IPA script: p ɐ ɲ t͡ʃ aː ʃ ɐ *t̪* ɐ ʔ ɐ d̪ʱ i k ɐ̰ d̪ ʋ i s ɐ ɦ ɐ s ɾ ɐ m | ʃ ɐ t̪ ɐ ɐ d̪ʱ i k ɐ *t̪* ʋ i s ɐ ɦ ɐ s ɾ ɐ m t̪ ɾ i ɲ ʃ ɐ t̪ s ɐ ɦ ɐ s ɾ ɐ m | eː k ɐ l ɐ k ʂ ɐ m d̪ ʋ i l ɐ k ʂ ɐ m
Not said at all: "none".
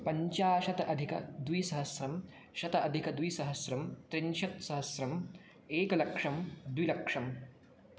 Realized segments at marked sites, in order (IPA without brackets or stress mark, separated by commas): t̪, d̪